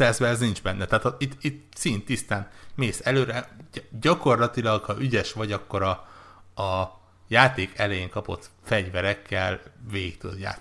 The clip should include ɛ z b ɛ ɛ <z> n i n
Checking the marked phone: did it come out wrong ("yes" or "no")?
no